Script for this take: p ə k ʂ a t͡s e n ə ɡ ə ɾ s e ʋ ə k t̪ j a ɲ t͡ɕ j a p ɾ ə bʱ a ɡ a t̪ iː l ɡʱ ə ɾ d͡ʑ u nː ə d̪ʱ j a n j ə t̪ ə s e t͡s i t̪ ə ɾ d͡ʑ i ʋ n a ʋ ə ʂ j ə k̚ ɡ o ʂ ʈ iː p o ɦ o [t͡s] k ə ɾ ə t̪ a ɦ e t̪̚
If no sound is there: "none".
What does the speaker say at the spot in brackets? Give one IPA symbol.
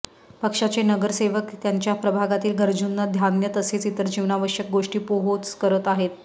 t͡s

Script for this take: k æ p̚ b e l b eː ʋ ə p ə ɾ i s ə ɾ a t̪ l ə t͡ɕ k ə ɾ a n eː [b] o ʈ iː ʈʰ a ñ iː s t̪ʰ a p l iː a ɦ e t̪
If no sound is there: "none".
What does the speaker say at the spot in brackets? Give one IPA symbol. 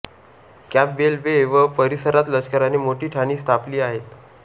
m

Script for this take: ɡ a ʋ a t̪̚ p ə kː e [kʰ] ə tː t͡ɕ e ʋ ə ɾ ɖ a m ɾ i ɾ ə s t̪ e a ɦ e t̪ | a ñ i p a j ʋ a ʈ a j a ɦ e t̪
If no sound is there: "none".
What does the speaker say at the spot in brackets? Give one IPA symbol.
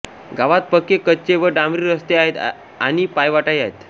k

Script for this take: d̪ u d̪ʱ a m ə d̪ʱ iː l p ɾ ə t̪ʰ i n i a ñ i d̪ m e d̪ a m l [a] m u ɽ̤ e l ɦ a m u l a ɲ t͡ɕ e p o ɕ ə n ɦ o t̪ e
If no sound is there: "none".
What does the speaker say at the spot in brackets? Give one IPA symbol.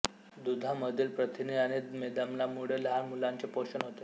a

